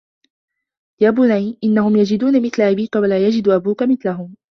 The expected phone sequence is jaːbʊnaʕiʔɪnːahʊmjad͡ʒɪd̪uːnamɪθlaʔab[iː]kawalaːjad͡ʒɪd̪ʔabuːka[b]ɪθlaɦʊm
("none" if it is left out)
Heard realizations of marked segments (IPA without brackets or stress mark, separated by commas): iː, m